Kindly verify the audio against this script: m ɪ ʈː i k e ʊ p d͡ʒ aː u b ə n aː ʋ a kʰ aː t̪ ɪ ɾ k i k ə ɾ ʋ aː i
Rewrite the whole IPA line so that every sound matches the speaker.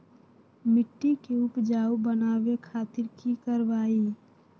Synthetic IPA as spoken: m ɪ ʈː i k e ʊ p d͡ʒ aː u b ə n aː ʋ e kʰ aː t̪ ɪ ɾ k i k ə ɾ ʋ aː i